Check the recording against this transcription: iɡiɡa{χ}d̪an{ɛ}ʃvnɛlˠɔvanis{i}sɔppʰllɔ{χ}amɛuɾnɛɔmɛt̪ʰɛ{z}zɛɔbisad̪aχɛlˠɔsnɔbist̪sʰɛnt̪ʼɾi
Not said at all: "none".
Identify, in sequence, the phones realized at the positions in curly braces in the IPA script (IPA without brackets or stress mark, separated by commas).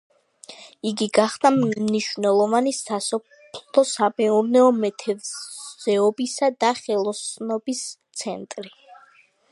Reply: χ, i, a, s, v